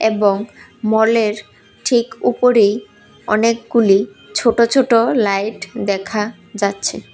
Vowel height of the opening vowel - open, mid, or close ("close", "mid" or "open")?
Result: mid